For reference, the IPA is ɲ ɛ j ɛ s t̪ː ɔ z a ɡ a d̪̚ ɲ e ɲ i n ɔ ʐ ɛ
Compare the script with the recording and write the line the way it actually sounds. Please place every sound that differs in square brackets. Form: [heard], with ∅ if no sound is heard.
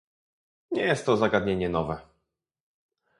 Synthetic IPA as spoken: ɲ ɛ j ɛ s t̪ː ɔ z a ɡ a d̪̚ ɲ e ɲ [ɛ] n ɔ [v] ɛ

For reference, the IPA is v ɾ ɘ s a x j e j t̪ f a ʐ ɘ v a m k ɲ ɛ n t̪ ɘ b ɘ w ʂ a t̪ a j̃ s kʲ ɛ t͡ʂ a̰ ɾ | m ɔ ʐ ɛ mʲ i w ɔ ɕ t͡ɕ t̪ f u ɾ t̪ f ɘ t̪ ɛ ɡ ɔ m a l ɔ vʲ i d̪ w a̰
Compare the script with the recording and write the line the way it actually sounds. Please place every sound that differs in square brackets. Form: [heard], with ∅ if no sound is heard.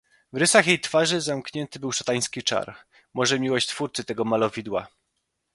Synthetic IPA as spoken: v ɾ ɘ s a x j e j t̪ f a ʐ ɘ [z] a m k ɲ ɛ n t̪ ɘ b ɘ w ʂ a t̪ a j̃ s kʲ [i] t͡ʂ a̰ ɾ | m ɔ ʐ ɛ mʲ i w ɔ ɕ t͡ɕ t̪ f u ɾ t̪ [s] ɘ t̪ ɛ ɡ ɔ m a l ɔ vʲ i d̪ w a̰

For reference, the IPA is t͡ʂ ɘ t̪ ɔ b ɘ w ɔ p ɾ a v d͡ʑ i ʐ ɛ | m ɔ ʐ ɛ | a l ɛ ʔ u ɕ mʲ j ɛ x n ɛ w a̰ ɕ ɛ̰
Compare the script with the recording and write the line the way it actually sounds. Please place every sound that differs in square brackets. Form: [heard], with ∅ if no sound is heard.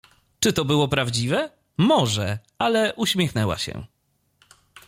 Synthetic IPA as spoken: t͡ʂ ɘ t̪ ɔ b ɘ w ɔ p ɾ a v d͡ʑ i [v] ɛ | m ɔ ʐ ɛ | a l ɛ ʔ u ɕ mʲ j ɛ x n ɛ w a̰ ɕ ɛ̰

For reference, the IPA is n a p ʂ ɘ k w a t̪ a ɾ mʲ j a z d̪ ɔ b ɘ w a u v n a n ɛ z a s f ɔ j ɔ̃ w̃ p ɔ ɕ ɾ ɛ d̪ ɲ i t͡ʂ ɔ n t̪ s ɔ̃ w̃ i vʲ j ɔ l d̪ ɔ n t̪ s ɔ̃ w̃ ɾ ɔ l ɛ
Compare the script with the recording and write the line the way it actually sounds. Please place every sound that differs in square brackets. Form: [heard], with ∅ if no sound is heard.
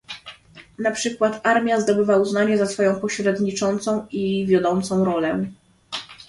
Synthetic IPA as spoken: n a p ʂ ɘ k w a t̪ a ɾ mʲ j a z d̪ ɔ b ɘ [v] a u [z] n a [ɲ] ɛ z a s f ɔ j ɔ̃ w̃ p ɔ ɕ ɾ ɛ d̪ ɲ i t͡ʂ ɔ n t̪ s ɔ̃ w̃ i vʲ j ɔ [∅] d̪ ɔ n t̪ s ɔ̃ w̃ ɾ ɔ l ɛ

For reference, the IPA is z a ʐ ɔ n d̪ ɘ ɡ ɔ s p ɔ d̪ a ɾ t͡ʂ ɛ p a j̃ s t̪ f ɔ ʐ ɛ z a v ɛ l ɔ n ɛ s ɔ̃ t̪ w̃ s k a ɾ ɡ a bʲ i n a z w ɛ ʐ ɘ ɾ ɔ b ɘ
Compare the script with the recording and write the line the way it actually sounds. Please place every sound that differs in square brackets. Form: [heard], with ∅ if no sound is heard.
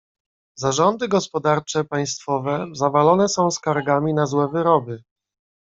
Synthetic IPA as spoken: z a ʐ ɔ n d̪ ɘ ɡ ɔ s p ɔ d̪ a ɾ t͡ʂ ɛ p a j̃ s t̪ f ɔ [v] ɛ z a v [a] l ɔ n ɛ s ɔ̃ [∅] w̃ s k a ɾ ɡ a [mʲ] i n a z w ɛ [v] ɘ ɾ ɔ b ɘ

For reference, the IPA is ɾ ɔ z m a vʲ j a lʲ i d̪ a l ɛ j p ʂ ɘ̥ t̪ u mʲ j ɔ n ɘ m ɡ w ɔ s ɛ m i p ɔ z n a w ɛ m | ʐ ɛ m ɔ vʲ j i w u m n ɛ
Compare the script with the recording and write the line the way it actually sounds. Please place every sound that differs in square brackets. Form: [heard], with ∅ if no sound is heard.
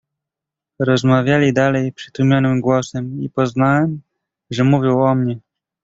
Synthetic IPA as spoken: ɾ ɔ z m a vʲ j a lʲ i d̪ a l ɛ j p ʂ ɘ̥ t̪ u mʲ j ɔ n ɘ m ɡ w ɔ s ɛ m i p ɔ z n a w ɛ m | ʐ ɛ m [u] vʲ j i w [ɔ] m [ɲ] ɛ

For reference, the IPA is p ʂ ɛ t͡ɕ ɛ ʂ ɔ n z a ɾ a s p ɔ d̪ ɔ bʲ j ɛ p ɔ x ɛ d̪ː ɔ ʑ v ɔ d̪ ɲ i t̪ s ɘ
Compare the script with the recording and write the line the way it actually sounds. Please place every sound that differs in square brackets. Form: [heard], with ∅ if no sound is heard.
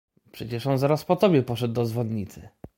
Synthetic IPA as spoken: p ʂ ɛ t͡ɕ ɛ ʂ ɔ n z a ɾ a s p ɔ [t̪] ɔ bʲ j ɛ p ɔ [ʂ] ɛ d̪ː ɔ [z] v ɔ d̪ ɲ i t̪ s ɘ

